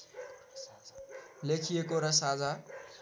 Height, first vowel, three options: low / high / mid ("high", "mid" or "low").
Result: mid